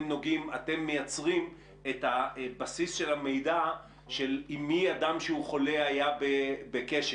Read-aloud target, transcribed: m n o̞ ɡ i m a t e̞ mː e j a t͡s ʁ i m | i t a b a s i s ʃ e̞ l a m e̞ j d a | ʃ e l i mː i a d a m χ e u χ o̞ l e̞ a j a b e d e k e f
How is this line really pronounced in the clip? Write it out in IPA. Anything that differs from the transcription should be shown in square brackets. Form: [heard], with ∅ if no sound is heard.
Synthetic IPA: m n o̞ ɡ i m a t e̞ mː e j a t͡s ʁ i m | [e] t a b a s i s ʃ e̞ l a m e̞ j d a | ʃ e l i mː i a d a m [ʃ] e u χ o̞ l e̞ a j a b e [b] e k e [ʃ]